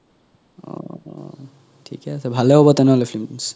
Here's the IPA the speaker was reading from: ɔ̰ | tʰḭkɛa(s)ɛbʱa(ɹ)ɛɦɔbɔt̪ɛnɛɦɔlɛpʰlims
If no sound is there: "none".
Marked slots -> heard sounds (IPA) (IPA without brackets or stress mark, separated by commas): s, l